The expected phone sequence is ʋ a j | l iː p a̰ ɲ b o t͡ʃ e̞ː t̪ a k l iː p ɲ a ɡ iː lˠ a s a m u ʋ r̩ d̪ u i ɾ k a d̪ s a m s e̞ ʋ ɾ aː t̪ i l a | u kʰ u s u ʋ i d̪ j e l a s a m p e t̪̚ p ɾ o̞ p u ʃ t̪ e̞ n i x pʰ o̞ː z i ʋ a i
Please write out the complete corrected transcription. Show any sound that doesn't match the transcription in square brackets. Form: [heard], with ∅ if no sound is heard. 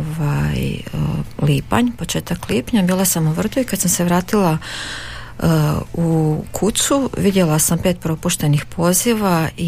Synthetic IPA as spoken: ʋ a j | l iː p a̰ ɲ [p] o t͡ʃ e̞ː t̪ a k l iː p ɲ a [b] iː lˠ a s a m u ʋ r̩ d̪ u i [∅] k a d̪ s a m s e̞ ʋ ɾ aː t̪ i l a | u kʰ u s u ʋ i d̪ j e l a s a m p e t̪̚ p ɾ o̞ p u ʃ t̪ e̞ n i x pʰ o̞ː z i ʋ a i